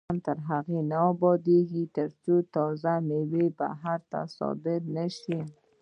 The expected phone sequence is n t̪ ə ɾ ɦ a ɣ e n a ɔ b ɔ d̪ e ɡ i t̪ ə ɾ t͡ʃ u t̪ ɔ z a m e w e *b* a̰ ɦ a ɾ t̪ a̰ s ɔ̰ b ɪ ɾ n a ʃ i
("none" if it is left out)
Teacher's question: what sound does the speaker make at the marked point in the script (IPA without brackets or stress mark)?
b